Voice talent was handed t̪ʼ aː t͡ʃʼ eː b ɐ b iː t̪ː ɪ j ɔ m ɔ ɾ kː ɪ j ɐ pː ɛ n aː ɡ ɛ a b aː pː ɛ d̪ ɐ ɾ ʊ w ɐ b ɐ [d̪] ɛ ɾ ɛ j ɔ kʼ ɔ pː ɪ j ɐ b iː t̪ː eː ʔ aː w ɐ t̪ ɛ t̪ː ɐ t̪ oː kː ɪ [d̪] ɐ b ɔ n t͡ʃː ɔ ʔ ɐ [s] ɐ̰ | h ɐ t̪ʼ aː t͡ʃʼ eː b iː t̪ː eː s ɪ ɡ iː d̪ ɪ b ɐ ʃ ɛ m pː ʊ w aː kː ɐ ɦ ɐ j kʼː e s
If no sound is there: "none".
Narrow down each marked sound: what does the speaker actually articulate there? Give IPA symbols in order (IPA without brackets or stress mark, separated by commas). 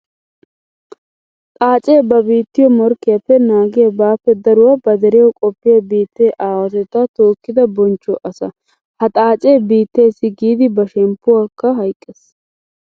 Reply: d̪, d̪, s